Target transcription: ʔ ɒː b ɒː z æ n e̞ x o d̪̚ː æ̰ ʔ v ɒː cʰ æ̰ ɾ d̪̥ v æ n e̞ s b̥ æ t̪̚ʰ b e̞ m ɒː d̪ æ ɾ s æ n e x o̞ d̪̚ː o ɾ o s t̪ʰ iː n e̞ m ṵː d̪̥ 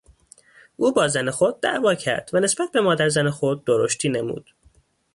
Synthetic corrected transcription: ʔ uː b ɒː z æ n e̞ x o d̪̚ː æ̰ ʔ v ɒː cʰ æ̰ ɾ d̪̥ v æ n e̞ s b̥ æ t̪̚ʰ b e̞ m ɒː d̪ æ ɾ z æ n e x o̞ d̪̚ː o ɾ o ʃ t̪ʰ iː n e̞ m ṵː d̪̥

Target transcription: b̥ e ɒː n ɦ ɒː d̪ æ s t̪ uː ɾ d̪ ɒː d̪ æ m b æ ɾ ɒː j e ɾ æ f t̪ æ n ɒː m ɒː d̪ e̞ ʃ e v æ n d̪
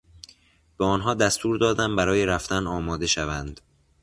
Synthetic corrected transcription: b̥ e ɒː n ɦ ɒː d̪ æ s t̪ uː ɾ d̪ ɒː d̪ æ m b æ ɾ ɒː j e ɾ æ f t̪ æ n ɒː m ɒː d̪ e̞ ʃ æ v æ n d̪

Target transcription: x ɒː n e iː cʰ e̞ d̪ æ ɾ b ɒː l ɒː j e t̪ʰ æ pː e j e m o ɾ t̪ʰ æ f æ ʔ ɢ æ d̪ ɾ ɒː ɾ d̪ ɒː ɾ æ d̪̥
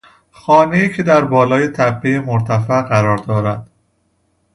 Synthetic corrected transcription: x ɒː n e iː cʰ e̞ d̪ æ ɾ b ɒː l ɒː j e t̪ʰ æ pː e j e m o ɾ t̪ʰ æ f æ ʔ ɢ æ ɾ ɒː ɾ d̪ ɒː ɾ æ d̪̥

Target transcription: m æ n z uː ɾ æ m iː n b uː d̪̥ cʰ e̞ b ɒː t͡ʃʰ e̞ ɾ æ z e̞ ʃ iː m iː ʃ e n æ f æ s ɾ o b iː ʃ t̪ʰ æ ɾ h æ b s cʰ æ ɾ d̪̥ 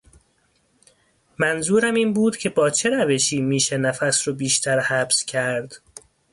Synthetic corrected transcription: m æ n z uː ɾ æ m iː n b uː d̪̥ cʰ e̞ b ɒː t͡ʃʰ e̞ ɾ æ v e̞ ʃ iː m iː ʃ e n æ f æ s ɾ o b iː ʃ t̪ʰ æ ɾ h æ b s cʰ æ ɾ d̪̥

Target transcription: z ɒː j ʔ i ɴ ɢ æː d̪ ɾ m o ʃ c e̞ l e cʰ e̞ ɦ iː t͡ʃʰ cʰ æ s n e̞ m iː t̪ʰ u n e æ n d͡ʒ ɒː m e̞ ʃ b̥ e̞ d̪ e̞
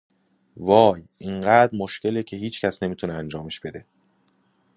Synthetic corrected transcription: v ɒː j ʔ i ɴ ɢ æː d̪ ɾ m o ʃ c e̞ l e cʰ e̞ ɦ iː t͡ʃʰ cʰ æ s n e̞ m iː t̪ʰ u n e æ n d͡ʒ ɒː m e̞ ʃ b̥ e̞ d̪ e̞

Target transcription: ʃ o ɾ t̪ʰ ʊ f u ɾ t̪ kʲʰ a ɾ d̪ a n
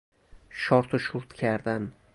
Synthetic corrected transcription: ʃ ɒ ɾ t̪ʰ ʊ ʃ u ɾ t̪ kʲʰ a ɾ d̪ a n

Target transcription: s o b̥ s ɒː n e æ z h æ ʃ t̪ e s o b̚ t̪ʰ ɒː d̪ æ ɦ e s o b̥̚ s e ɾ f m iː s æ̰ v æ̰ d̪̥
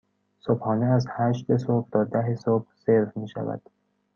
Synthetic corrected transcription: s o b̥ h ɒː n e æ z h æ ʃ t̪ e s o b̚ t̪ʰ ɒː d̪ æ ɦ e s o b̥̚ s e ɾ f m iː ʃ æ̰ v æ̰ d̪̥

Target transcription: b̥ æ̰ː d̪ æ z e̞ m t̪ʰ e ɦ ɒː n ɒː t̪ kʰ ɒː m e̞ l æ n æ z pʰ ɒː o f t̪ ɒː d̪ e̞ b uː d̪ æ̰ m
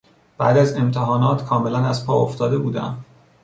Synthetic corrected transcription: b̥ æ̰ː d̪ æ z e̞ m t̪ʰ e ɦ ɒː n ɒː t̪ kʰ ɒː m e̞ l æ n æ z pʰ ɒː o f t̪ ɒː d̪ e̞ b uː d̪ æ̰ m

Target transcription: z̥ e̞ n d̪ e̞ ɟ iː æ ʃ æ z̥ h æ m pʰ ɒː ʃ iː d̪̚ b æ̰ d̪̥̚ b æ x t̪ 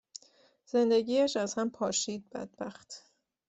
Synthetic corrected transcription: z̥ e̞ n d̪ e̞ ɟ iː æ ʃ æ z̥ h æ m pʰ ɒː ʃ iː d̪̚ b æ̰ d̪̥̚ b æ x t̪

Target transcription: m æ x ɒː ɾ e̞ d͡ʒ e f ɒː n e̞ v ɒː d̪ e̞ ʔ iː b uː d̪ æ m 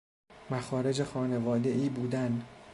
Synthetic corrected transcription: m æ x ɒː ɾ e̞ d͡ʒ e x ɒː n e̞ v ɒː d̪ e̞ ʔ iː b uː d̪ æ n

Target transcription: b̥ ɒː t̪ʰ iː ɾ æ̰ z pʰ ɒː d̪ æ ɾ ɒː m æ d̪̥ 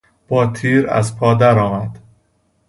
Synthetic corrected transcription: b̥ ɒː t̪ʰ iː ɾ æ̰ z pʰ ɒː d̪ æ ɾ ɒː m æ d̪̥

